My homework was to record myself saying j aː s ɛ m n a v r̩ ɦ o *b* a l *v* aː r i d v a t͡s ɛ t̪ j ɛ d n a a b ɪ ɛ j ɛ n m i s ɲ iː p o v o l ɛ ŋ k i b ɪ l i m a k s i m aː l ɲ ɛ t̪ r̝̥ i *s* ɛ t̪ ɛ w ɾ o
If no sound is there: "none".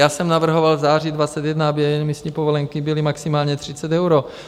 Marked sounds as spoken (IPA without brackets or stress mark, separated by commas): v, z, t͡s